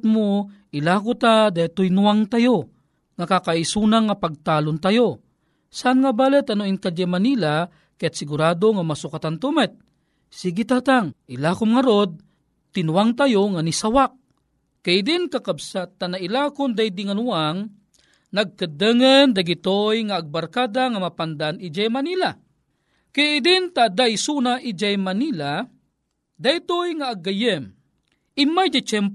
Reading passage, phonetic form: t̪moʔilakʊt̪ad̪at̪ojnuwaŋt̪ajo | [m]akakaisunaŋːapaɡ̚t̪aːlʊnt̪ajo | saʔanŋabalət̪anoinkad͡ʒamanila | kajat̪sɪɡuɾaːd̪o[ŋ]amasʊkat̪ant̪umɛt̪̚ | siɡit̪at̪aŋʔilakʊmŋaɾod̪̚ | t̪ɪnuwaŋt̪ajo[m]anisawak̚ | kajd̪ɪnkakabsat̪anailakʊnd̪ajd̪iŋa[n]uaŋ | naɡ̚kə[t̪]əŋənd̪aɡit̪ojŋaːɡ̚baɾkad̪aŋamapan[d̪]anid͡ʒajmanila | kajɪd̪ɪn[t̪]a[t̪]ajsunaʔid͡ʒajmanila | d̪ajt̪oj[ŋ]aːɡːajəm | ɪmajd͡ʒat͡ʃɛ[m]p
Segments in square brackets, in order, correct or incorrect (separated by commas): incorrect, correct, incorrect, correct, incorrect, correct, correct, incorrect, correct, correct